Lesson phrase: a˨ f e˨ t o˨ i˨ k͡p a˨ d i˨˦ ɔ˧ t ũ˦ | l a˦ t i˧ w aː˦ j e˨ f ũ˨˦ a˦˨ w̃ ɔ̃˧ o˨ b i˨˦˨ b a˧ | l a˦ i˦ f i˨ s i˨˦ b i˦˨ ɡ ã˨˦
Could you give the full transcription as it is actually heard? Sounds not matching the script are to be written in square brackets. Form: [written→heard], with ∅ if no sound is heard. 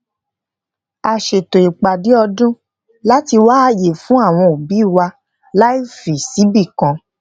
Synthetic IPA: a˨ [f→ʃ] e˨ t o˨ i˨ k͡p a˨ d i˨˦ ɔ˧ [t→d] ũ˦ | l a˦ t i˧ w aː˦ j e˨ f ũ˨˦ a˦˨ w̃ ɔ̃˧ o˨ b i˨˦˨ [b→w] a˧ | l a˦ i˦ f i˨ s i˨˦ b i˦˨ [ɡ→k] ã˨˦